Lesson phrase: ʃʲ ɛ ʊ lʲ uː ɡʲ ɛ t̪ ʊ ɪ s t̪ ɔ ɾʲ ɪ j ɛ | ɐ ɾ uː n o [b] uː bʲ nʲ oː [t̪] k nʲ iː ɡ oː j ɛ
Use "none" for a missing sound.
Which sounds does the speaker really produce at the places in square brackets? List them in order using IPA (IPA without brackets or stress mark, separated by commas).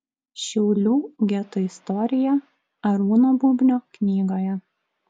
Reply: b, none